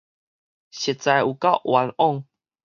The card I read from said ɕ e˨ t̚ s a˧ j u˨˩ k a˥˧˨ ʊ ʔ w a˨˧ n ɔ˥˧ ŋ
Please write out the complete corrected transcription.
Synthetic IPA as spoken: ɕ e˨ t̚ t͡s a˧ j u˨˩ k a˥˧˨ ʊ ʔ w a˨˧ n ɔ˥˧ ŋ